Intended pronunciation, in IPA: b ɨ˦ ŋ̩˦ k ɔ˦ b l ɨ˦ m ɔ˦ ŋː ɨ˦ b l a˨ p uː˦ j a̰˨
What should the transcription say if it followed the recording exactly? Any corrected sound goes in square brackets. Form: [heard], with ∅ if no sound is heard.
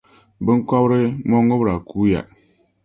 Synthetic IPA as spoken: b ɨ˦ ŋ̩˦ k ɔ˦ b [ɾ] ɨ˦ m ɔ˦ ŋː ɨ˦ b [ɾ] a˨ [k] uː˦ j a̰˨